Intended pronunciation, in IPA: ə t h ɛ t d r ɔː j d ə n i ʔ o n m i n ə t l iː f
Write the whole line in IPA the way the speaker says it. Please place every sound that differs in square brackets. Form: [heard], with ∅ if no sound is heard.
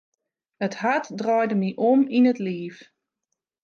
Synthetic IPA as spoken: ə t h [a] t d r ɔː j d ə [m] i ʔ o [∅] m i n ə t l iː f